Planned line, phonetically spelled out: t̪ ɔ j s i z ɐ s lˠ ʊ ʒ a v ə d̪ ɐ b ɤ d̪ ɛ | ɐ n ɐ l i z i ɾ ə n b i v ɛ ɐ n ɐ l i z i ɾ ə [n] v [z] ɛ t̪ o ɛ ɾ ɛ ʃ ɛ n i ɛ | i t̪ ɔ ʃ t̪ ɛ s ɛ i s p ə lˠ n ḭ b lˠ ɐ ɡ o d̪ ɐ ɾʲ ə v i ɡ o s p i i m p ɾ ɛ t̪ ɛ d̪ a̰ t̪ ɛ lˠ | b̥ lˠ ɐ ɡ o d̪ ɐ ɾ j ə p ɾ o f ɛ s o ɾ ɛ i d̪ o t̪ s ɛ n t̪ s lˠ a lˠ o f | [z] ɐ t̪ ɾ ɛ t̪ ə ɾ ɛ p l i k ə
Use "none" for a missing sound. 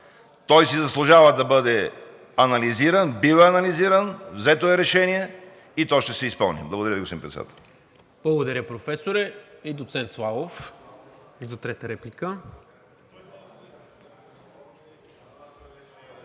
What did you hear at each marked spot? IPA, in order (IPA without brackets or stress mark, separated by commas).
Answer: n, z, z